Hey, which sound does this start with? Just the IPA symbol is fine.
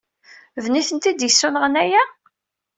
v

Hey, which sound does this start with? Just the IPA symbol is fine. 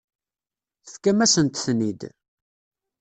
θ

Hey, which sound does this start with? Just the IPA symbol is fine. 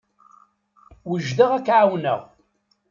w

